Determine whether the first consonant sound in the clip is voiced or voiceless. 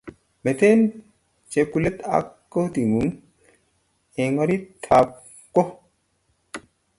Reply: voiced